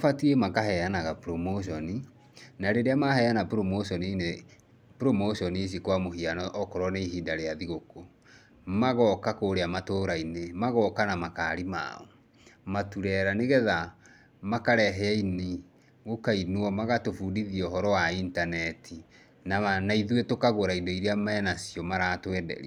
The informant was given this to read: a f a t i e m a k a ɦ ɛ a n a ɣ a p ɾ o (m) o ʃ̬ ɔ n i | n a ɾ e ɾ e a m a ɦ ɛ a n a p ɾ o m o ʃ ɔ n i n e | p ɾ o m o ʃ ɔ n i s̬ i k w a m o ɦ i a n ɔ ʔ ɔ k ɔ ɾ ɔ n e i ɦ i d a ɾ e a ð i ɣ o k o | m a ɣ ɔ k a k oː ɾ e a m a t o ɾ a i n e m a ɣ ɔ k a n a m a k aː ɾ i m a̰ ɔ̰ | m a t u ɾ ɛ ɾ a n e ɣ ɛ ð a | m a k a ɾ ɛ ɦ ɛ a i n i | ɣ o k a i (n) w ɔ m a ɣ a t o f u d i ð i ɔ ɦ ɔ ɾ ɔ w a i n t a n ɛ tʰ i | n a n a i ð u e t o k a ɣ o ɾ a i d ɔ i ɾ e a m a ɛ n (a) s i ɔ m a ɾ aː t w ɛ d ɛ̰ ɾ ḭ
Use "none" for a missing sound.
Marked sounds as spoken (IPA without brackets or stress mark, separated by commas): m, n, a